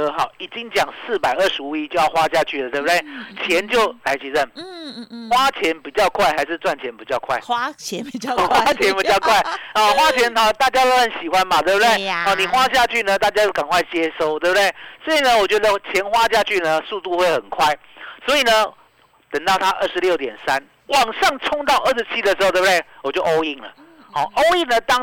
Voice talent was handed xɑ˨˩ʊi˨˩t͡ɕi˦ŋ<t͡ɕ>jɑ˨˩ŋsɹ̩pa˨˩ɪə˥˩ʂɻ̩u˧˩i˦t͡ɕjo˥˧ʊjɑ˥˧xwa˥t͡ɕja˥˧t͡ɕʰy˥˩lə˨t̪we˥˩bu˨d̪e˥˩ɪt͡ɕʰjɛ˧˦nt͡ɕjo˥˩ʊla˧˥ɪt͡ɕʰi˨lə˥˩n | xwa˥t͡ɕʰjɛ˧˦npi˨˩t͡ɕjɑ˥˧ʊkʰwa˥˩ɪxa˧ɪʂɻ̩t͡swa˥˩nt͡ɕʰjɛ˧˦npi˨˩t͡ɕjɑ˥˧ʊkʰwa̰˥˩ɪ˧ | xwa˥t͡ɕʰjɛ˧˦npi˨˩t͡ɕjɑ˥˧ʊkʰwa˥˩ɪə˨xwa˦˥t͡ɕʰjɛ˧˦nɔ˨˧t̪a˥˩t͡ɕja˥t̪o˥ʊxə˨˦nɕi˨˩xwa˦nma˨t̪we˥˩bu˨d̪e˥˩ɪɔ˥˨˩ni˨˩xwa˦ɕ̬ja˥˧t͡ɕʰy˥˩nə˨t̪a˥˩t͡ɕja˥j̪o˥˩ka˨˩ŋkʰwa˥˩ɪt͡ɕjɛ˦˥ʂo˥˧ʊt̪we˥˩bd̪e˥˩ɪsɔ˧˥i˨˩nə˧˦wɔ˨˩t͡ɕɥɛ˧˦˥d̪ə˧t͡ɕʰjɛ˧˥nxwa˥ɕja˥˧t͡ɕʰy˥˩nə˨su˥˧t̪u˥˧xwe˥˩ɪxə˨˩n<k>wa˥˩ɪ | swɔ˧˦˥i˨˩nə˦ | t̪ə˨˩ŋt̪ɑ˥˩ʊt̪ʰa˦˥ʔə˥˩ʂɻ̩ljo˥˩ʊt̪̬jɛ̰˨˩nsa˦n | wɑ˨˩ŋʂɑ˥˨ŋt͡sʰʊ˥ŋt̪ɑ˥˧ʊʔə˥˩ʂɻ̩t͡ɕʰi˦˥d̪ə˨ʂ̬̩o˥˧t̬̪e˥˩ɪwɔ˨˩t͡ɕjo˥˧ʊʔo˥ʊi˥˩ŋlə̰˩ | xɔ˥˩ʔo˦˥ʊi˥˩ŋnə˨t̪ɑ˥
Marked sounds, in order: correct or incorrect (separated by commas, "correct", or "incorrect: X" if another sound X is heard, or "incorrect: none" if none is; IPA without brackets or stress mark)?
correct, incorrect: kʰ